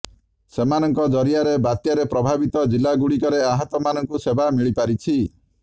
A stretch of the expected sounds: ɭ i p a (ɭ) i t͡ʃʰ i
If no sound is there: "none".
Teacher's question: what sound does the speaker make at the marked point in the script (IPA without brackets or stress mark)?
ɾ